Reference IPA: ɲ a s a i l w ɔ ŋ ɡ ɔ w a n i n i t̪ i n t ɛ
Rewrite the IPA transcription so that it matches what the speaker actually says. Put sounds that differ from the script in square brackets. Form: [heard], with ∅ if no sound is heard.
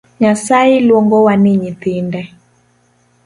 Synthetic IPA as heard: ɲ a s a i l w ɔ ŋ ɡ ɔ w a n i [ɲ] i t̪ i n [d] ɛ

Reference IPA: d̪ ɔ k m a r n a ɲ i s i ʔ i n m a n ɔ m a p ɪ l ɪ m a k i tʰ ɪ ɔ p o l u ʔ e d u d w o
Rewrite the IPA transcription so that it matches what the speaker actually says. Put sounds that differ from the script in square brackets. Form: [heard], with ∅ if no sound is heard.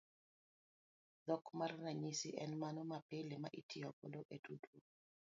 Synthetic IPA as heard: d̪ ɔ k m a r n a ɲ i s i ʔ [ɛ] n m a n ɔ m a p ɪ l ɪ m a [ʔ] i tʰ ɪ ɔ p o l [o] ʔ e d u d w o

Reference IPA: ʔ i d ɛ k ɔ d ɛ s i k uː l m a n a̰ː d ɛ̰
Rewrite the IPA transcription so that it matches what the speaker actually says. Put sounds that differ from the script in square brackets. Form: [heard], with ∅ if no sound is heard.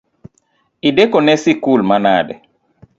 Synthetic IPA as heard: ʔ i d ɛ k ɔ [n] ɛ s i k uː l m a n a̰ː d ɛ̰

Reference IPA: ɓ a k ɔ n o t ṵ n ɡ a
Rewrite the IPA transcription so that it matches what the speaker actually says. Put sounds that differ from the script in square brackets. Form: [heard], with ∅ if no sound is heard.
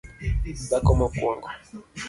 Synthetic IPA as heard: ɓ a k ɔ [m] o [k] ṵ [ŋ] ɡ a

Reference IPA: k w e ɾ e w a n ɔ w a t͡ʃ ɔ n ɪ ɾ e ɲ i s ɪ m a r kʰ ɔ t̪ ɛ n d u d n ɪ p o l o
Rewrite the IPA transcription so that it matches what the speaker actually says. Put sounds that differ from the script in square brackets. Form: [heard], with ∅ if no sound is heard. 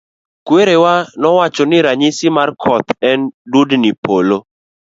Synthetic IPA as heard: k w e ɾ e w a n ɔ w a t͡ʃ ɔ n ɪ ɾ [a] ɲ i s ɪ m a r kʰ ɔ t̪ ɛ n d u d n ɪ p o l o

